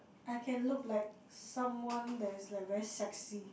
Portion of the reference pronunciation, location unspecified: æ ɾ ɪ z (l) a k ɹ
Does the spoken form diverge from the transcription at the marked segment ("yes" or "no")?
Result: no